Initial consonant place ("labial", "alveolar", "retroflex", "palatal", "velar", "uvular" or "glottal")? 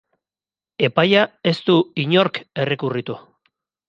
labial